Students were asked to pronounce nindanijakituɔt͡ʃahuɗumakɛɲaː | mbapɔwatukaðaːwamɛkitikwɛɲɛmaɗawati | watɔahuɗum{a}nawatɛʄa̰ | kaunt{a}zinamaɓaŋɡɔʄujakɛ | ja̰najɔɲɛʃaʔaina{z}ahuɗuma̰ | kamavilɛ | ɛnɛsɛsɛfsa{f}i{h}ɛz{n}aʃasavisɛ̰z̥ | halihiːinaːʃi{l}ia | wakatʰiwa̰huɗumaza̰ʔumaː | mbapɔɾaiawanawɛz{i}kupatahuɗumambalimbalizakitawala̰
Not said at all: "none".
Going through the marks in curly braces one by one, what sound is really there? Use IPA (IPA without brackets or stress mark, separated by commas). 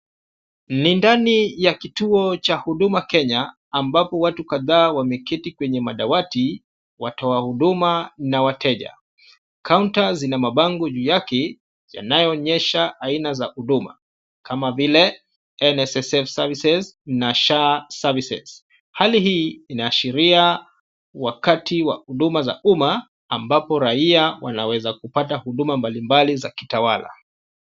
a, a, z, v, s, n, ɾ, a